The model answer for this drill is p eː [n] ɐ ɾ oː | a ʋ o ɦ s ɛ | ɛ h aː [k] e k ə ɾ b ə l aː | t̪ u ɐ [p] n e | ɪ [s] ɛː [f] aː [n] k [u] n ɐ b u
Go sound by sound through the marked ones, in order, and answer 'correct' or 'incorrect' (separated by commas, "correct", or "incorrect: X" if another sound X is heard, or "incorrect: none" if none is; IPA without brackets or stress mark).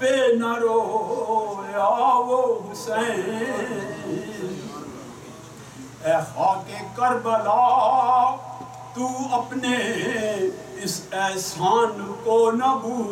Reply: correct, correct, correct, correct, incorrect: s, correct, incorrect: o